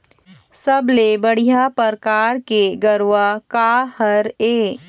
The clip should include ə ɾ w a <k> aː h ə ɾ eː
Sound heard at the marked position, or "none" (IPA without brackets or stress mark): k